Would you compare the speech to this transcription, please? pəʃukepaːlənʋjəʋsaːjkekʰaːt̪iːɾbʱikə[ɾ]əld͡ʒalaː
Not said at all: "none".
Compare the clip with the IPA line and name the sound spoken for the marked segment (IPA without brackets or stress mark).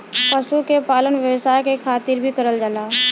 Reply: ɾ